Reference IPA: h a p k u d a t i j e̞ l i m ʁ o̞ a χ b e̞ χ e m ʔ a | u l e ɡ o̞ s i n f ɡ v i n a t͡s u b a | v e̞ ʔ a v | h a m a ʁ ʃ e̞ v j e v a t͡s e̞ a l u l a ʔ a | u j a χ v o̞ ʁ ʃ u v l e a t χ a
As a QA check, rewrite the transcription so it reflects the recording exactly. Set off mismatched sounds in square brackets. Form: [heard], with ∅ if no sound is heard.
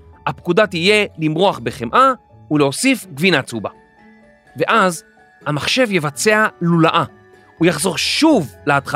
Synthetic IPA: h a p k u d a t i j e̞ l i m ʁ o̞ a χ b e̞ χ e m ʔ a | u l e [∅] o̞ s i [∅] f ɡ v i n a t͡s u b a | v e̞ ʔ a [z] | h a m a [χ] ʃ e̞ v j e v a t͡s e̞ a l u l a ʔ a | u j a χ [z] o̞ ʁ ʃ u v l e a t χ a